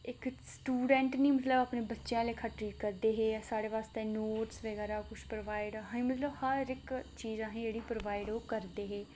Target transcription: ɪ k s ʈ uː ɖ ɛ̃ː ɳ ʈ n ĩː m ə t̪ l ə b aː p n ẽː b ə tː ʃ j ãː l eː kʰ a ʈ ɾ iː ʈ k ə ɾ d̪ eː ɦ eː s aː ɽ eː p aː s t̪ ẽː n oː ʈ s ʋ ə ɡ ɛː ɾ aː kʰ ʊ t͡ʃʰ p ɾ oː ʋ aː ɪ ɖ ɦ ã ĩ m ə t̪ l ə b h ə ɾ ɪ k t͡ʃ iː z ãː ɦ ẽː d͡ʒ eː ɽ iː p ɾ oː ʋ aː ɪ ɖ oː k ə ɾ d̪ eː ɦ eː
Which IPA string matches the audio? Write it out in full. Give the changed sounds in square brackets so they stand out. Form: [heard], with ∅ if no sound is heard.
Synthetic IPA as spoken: ɪ k s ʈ uː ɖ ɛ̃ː ɳ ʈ n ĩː m ə t̪ l ə b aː p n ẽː b ə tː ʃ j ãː l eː kʰ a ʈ ɾ iː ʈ k ə ɾ d̪ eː ɦ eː s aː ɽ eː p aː s t̪ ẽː n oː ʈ s ʋ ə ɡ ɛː ɾ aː [k] ʊ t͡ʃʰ p ɾ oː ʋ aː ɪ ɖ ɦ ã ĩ m ə t̪ l ə b h ə ɾ ɪ k t͡ʃ iː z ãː ɦ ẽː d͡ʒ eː ɽ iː p ɾ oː ʋ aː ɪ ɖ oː k ə ɾ d̪ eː ɦ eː